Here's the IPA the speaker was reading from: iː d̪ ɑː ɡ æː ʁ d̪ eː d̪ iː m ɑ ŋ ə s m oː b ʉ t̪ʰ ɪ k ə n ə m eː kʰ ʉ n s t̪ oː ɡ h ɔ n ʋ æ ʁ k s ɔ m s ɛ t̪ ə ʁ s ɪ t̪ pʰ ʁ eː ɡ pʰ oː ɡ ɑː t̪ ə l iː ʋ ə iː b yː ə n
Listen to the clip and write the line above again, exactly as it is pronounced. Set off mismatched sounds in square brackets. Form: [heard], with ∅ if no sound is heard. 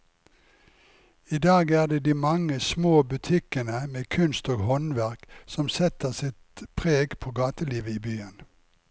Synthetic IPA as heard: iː d̪ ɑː ɡ æː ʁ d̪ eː d̪ iː m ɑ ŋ ə s m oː b ʉ t̪ʰ ɪ k ə n ə m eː kʰ ʉ n s t̪ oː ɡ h ɔ n ʋ æ ʁ k s ɔ m s ɛ t̪ ə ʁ s ɪ t̪ pʰ ʁ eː ɡ pʰ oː ɡ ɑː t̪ ə l iː ʋ ə iː b yː ə n